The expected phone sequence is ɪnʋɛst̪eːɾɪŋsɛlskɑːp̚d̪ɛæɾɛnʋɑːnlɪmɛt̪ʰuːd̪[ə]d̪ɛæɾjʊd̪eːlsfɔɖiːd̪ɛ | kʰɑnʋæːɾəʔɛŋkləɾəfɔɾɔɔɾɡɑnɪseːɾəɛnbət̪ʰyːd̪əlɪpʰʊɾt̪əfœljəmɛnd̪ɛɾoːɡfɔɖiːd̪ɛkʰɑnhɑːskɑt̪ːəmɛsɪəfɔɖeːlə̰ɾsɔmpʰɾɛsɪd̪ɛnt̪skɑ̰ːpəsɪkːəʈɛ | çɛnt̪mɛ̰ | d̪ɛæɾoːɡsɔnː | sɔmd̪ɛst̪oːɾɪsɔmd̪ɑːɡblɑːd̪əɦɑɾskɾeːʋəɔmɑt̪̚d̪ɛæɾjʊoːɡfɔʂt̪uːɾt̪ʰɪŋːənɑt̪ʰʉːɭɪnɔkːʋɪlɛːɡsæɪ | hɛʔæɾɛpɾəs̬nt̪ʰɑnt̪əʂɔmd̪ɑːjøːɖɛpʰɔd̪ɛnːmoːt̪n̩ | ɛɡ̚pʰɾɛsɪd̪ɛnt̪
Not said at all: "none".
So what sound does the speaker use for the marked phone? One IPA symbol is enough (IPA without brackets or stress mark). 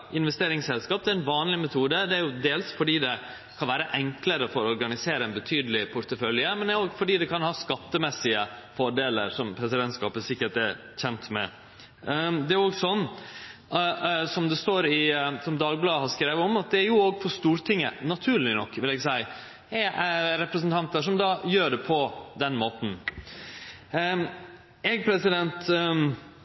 ə